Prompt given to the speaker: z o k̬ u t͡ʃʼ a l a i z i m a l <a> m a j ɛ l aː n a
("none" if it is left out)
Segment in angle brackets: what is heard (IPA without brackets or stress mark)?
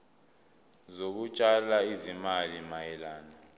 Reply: i